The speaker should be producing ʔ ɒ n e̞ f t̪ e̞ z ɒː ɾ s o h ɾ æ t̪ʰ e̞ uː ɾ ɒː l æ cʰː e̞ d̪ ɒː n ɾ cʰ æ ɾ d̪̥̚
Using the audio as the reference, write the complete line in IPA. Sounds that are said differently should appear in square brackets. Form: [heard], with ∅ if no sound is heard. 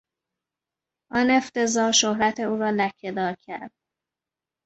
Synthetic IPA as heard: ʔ ɒ n e̞ f t̪ e̞ z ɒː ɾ [ʃ] o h ɾ æ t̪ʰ e̞ uː ɾ ɒː l æ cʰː e̞ d̪ ɒː [∅] ɾ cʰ æ ɾ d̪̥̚